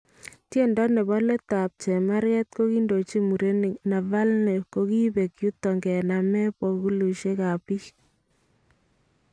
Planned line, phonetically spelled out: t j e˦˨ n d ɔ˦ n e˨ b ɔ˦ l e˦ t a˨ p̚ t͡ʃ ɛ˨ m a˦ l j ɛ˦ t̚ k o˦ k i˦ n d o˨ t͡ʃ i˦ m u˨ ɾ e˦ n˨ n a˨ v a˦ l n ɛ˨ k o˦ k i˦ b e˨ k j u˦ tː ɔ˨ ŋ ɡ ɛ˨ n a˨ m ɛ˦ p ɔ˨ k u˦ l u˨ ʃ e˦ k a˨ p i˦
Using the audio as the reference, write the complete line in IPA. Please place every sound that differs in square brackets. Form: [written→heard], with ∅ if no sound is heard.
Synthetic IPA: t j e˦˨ n d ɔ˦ n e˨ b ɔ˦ l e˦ t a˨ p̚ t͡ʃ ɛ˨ m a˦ [l→ɾ] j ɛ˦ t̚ k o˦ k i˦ n d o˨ t͡ʃ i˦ m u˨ ɾ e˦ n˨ n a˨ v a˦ l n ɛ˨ k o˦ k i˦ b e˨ k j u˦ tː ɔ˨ ŋ ɡ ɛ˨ n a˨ m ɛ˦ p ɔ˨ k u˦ l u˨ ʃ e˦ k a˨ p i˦